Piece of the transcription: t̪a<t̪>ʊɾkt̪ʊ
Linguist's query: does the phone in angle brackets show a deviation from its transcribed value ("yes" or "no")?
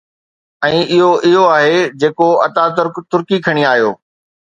no